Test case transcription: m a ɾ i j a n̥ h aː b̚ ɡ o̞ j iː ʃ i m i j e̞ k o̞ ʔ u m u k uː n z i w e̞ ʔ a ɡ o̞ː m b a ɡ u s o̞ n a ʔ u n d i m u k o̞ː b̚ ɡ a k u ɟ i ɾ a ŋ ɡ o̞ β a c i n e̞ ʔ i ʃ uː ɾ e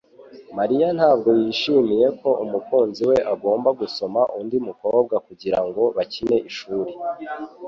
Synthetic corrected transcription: m a ɾ i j a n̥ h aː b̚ ɡ o̞ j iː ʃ i m i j e̞ k o̞ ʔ u m u k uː n z i w e̞ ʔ a ɡ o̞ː m b a ɡ u s o̞ m a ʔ u n d i m u k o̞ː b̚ ɡ a k u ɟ i ɾ a ŋ ɡ o̞ β a c i n e̞ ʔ i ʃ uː ɾ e

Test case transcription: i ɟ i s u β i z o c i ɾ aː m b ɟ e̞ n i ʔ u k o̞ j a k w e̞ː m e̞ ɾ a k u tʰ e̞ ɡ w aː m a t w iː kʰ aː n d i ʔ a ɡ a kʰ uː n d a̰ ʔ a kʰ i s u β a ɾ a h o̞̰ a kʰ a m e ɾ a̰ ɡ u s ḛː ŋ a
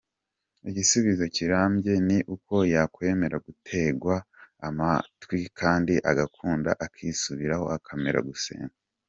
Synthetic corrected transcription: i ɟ i s u β i z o c i ɾ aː m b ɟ e̞ n i ʔ u k o̞ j a k w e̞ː m e̞ ɾ a ɡ u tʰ e̞ ɡ w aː m a t w i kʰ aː n d i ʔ a ɡ a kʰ uː n d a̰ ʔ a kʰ i s u β i ɾ a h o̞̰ a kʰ a m e ɾ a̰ ɡ u s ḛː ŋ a

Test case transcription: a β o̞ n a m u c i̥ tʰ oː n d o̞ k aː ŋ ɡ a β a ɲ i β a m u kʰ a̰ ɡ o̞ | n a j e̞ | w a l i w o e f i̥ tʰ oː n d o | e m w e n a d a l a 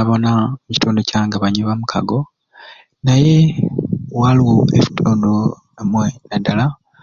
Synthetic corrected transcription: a β o̞ n a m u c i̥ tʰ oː n d o̞ c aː ŋ ɡ a β a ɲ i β a m u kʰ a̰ ɡ o̞ | n a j e̞ | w a l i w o e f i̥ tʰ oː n d o | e m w e n a d a l a

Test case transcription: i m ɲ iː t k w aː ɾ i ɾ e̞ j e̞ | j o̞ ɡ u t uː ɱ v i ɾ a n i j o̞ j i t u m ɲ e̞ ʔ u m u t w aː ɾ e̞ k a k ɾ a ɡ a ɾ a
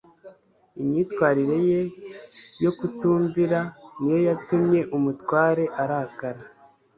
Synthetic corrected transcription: i m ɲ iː t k w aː ɾ i ɾ e̞ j e̞ | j o̞ k u t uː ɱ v i ɾ a n i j o̞ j a t u m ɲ e̞ ʔ u m u t w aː ɾ e̞ ʔ a ɾ a k a ɾ a

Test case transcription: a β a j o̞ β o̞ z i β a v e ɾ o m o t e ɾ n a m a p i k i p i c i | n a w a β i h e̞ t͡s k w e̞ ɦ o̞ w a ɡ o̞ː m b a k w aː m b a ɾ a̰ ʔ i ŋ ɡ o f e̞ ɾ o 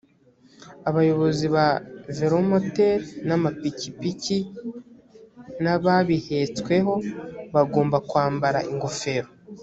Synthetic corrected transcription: a β a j o̞ β o̞ z i β a v e ɾ o m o t e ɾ n a m a p i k i p i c i | n a β a β i h e̞ t͡s k w e̞ ɦ o̞ β a ɡ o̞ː m b a k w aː m b a ɾ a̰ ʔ i ŋ ɡ o f e̞ ɾ o

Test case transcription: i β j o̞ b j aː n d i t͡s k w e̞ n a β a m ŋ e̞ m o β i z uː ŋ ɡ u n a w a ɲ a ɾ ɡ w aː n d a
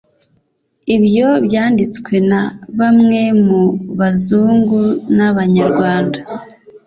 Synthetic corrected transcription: i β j o̞ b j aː n d i t͡s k w e̞ n a β a m ŋ e̞ m u β a z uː ŋ ɡ u n a β a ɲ a ɾ ɡ w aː n d a

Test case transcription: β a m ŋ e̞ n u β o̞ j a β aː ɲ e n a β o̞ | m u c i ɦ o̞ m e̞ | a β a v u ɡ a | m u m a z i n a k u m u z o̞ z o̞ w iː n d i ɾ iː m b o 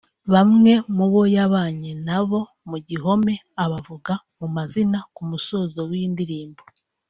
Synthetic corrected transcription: β a m ŋ e̞ m u β o̞ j a β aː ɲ e n a β o̞ | m u ɟ i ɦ o̞ m e̞ | a β a v u ɡ a | m u m a z i n a k u m u s o̞ z o̞ w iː n d i ɾ iː m b o

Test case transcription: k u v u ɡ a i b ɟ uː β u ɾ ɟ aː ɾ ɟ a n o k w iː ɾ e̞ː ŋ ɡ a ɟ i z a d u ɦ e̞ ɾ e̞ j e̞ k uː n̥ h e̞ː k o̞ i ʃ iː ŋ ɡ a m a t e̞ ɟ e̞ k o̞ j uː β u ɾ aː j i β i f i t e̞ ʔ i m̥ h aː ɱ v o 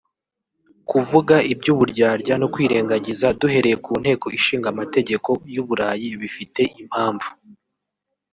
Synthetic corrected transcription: k u v u ɡ a i b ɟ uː β u ɾ ɟ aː ɾ ɟ a n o k w iː ɾ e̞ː ŋ ɡ a ɟ i z a d u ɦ e̞ ɾ e̞ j e̞ k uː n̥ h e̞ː k o̞ i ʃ iː ŋ ɡ a m a t e̞ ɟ e̞ k o̞ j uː β u ɾ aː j i β i f i t e̞ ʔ i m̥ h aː ɱ v u

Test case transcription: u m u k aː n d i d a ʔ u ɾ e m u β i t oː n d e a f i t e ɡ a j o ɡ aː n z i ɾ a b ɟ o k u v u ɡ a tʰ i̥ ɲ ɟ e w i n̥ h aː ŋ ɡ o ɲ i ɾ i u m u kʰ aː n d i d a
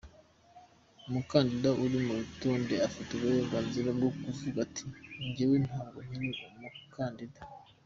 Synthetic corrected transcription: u m u k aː n d i d a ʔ u ɾ i m u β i t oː n d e a f i t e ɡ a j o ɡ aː n z i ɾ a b ɡ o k u v u ɡ a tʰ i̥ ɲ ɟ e w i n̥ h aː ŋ ɡ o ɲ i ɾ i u m u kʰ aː n d i d a

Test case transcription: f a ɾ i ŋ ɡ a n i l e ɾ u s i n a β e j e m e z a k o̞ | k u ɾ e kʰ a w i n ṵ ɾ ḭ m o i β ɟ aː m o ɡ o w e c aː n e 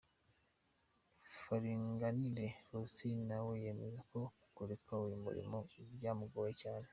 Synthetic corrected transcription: f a ɾ i ŋ ɡ a n i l e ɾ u s i n a w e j e m e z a k o̞ | k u ɾ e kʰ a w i m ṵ ɾ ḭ m o i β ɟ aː m u ɡ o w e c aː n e

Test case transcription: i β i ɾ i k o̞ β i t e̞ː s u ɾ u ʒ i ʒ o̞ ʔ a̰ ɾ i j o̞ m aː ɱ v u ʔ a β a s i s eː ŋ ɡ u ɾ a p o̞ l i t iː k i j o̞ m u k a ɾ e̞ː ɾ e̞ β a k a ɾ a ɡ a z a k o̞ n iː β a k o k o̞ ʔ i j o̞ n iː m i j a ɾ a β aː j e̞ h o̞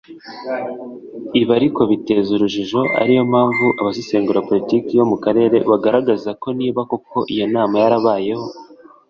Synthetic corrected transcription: i β a ɾ i k o̞ β i t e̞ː z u ɾ u ʒ i ʒ o̞ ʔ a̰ ɾ i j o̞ m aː ɱ v u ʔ a β a s i s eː ŋ ɡ u ɾ a p o̞ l i t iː k i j o̞ m u k a ɾ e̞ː ɾ e̞ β a ɡ a ɾ a ɡ a z a k o̞ n iː β a k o k o̞ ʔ i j o̞ n aː m a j a ɾ a β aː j e̞ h o̞

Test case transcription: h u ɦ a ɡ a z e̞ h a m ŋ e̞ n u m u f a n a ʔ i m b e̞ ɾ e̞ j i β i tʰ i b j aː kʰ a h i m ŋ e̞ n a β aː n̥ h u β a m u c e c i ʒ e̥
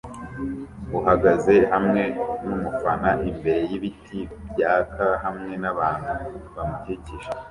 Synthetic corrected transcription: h u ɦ a ɡ a z e̞ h a m ŋ e̞ n u m u f a n a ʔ i m b e̞ ɾ e̞ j i β i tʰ i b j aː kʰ a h a m ŋ e̞ n a β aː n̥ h u β a m u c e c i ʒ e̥

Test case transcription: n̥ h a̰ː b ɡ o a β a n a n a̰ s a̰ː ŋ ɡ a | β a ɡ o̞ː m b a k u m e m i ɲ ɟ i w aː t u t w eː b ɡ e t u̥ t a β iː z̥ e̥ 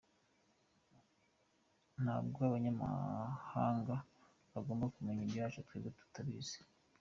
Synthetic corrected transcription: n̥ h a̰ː b ɡ o a β a ɲ a m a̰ h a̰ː ŋ ɡ a | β a ɡ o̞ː m b a k u m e ɲ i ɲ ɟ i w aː t͡ʃ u t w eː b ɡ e t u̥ t a β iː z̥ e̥

